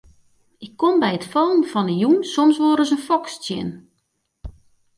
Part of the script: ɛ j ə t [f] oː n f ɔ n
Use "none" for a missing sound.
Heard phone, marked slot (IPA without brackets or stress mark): f